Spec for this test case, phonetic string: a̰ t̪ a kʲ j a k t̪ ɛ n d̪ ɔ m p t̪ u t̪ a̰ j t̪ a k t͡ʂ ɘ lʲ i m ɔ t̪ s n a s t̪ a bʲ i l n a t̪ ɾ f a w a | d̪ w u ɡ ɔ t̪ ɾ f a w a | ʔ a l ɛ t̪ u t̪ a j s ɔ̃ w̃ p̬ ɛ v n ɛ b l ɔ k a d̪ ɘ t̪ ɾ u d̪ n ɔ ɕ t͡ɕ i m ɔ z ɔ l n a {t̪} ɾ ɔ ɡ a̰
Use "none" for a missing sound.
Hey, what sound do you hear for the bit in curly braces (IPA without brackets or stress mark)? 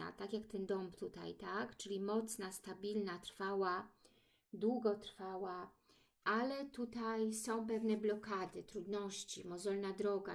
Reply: d̪